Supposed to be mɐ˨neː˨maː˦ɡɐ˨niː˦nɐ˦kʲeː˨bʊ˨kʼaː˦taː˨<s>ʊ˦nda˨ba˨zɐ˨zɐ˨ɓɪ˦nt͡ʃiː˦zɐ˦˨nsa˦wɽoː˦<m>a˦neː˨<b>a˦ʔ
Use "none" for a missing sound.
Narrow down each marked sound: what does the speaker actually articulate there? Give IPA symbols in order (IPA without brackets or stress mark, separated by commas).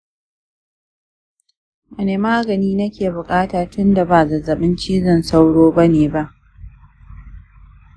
t, b, b